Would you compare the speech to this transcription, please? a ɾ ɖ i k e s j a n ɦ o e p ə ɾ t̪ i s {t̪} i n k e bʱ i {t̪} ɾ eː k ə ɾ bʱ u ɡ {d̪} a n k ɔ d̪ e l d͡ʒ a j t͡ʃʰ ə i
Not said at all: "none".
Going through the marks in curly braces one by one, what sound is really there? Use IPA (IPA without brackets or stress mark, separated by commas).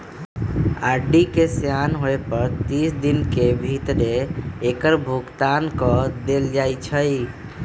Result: d̪, t̪, t̪